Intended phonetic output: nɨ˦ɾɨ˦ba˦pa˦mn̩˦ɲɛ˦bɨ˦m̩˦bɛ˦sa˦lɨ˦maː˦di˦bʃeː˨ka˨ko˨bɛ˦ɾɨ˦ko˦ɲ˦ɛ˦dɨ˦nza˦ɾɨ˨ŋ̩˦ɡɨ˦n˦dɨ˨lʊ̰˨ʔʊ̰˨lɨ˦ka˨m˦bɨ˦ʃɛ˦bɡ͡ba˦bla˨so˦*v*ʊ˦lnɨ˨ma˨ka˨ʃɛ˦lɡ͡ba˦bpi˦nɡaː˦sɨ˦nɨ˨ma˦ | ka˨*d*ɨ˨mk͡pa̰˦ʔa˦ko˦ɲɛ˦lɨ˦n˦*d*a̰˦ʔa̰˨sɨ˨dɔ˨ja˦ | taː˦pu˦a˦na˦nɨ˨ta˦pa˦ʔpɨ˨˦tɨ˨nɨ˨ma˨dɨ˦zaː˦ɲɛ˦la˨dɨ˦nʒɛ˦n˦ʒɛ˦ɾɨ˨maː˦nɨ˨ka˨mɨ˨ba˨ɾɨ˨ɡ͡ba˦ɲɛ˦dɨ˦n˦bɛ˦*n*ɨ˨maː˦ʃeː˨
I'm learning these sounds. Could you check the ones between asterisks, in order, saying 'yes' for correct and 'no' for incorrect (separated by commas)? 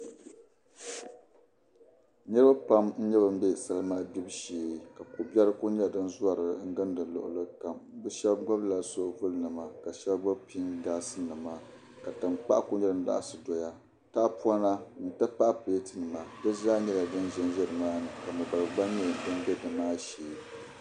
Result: yes, no, yes, no